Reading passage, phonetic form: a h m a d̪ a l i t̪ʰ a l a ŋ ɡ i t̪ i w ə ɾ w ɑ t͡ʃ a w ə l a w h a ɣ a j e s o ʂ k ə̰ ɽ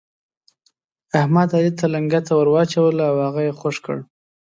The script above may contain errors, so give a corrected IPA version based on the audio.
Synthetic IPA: a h m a d̪ a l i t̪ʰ a l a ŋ ɡ a t̪ a w ə ɾ w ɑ t͡ʃ a w ə l a w h a ɣ a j e x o ʂ k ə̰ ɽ